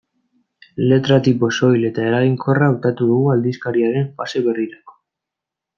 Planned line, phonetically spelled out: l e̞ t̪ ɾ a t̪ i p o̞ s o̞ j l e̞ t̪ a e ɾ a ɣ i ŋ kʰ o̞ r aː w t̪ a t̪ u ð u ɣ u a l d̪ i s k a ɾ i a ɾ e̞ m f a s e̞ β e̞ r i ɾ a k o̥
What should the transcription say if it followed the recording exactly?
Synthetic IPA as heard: l e̞ t̪ ɾ a t̪ i p o̞ s o̞ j l e̞ t̪ a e ɾ a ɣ i ŋ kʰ o̞ r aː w t̪ a t̪ u ð u ɣ u a l d̪ i s k a ɾ i a ɾ e̞ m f a s e̞ β e̞ r i ɾ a k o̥